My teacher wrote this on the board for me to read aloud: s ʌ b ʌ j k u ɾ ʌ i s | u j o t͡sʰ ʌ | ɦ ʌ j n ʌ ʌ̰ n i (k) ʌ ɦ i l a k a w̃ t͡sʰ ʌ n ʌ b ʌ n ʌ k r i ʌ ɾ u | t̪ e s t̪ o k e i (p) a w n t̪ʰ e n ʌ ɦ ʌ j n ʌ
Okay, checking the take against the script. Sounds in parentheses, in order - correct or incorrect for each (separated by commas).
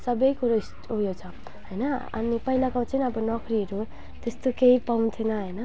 incorrect, correct